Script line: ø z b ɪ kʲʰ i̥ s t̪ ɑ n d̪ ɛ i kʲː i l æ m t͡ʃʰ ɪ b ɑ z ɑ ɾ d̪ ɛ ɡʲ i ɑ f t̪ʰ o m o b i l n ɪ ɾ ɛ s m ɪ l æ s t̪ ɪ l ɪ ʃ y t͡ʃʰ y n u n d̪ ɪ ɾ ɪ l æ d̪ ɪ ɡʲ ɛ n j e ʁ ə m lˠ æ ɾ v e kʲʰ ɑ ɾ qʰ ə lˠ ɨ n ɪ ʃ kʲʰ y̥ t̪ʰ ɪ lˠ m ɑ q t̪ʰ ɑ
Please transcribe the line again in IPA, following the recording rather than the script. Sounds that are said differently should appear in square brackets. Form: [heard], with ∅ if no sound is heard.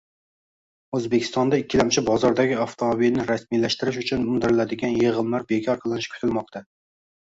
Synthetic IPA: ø z b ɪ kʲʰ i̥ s t̪ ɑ n d̪ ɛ i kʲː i l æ m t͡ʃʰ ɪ b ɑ z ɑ ɾ d̪ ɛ ɡʲ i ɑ f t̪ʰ o m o b i l n ɪ ɾ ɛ s m [i] l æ [ʃ] t̪ ɪ [ɾ] ɪ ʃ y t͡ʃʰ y n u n d̪ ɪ ɾ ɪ l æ d̪ ɪ ɡʲ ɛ n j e ʁ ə m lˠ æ ɾ [b] e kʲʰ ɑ ɾ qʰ ə lˠ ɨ n ɪ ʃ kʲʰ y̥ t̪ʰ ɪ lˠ m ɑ q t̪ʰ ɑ